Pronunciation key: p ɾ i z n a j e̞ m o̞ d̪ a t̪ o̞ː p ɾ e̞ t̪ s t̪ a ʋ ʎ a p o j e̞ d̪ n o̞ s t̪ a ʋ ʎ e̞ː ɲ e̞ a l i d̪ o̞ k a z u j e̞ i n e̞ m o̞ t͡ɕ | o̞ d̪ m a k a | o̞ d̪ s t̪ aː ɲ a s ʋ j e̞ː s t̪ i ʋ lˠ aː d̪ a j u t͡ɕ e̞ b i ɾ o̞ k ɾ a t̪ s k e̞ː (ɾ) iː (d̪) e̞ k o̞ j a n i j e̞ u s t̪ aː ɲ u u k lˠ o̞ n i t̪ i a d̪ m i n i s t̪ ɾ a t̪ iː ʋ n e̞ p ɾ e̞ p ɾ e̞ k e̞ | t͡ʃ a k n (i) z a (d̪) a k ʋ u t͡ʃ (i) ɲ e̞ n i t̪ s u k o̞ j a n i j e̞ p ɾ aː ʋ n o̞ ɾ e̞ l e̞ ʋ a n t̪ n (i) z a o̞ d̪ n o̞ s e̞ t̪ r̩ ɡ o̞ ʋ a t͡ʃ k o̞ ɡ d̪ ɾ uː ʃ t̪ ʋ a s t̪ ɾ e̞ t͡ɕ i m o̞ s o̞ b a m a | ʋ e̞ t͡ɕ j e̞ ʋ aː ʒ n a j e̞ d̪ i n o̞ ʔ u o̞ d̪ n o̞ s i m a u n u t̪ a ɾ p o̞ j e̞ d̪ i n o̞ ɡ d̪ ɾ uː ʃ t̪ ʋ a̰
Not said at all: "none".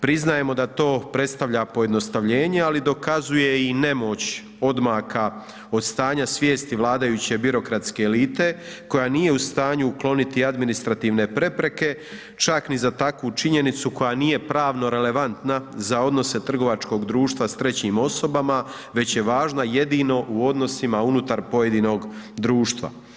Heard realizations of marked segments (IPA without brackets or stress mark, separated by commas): l, t̪, i, t̪, i, a